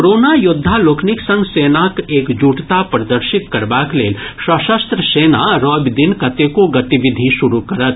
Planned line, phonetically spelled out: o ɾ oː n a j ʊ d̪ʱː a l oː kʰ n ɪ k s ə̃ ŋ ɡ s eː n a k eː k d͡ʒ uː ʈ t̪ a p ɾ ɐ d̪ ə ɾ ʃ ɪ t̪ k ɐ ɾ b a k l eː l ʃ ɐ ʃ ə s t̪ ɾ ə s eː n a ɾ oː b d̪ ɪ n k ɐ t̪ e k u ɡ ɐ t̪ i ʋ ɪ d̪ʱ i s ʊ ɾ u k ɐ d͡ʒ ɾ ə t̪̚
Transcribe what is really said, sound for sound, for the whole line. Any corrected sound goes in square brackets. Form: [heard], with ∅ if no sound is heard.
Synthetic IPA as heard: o ɾ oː n a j ʊ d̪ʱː a l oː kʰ n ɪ k s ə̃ ŋ ɡ s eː n a k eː k d͡ʒ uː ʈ t̪ a p ɾ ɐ d̪ ə ɾ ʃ ɪ t̪ k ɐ ɾ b a k l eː l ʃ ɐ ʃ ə s t̪ ɾ ə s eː n a ɾ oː b d̪ ɪ n k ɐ t̪ e k [o] ɡ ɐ t̪ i ʋ ɪ d̪ʱ i [ʃ] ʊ ɾ u k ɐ [∅] ɾ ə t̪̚